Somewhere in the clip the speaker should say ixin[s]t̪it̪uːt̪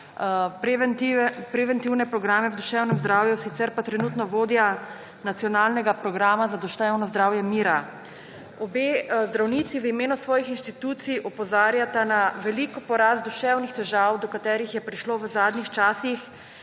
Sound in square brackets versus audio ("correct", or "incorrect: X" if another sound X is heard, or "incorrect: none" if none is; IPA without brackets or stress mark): incorrect: ʃ